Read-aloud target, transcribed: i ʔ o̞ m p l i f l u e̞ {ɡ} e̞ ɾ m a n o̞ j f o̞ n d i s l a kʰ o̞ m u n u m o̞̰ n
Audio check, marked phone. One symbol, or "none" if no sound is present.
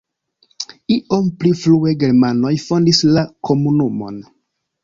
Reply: ɡ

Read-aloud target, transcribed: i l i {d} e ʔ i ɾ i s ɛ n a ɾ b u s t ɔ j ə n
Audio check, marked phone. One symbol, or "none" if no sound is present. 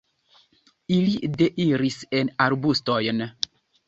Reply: d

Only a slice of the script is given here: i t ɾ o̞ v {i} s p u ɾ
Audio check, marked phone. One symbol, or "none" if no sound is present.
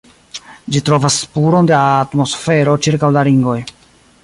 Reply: a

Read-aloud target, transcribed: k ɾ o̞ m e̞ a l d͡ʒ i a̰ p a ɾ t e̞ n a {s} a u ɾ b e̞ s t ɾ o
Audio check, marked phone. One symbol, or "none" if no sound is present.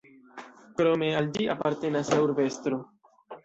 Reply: s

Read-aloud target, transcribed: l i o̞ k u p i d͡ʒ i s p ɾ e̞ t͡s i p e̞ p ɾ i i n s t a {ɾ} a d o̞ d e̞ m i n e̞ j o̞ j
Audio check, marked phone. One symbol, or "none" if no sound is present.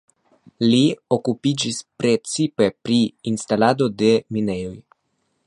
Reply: l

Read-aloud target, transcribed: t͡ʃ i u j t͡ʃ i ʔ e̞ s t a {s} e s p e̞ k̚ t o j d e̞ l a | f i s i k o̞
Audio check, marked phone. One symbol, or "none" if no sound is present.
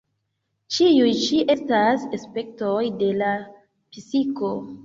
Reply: s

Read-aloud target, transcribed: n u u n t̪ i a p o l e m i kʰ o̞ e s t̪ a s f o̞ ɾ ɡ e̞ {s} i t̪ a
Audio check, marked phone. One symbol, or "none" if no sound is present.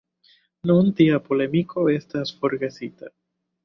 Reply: s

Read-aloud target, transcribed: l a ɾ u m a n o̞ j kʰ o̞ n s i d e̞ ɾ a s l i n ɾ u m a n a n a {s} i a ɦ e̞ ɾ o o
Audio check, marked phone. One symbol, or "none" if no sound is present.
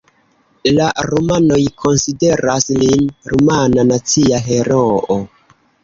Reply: t͡s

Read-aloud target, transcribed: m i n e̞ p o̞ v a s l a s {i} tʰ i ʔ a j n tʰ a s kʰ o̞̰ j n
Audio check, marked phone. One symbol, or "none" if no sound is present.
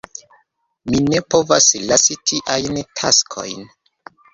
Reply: i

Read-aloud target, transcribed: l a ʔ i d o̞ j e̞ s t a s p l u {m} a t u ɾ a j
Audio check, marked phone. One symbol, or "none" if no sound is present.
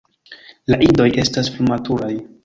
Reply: m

